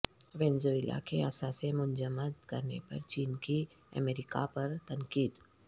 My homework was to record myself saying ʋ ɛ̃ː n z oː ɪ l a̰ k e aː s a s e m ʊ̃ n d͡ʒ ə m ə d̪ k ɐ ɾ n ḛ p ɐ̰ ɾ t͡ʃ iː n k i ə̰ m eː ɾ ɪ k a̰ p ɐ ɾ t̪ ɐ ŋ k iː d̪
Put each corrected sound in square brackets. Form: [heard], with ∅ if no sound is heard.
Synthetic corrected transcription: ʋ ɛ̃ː n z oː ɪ l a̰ k e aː s a s e m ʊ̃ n d͡ʒ ə m ə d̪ k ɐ ɾ n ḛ p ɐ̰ ɾ t͡ʃ iː n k i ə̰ m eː ɾ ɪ k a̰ p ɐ ɾ t̪ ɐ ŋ k iː d̪